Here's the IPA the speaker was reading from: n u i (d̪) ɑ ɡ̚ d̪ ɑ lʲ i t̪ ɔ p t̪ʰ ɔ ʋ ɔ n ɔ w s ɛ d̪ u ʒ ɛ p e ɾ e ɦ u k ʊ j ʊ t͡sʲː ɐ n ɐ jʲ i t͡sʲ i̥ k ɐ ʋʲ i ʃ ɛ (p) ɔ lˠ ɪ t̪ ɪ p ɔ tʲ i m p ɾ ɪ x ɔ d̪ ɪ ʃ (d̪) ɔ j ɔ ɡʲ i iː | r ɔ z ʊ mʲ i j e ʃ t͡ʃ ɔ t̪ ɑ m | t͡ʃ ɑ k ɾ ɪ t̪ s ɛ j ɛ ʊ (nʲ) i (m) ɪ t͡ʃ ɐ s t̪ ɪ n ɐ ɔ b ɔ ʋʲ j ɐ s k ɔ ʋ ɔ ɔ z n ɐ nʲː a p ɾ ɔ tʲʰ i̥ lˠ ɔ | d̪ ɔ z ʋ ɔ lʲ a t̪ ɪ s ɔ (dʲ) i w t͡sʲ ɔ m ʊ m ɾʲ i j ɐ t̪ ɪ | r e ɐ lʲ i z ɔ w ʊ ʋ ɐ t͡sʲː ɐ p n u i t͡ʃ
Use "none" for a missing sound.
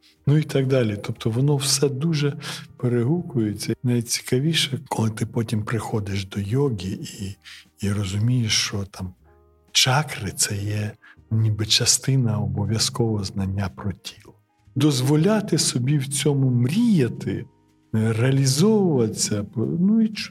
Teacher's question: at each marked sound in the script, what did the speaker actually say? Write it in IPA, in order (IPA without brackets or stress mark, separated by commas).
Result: t̪, k, d̪, nʲ, b, bʲ